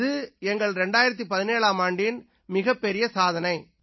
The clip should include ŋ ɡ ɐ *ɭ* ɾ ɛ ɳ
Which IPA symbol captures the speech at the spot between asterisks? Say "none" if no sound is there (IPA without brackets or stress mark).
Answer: ɭ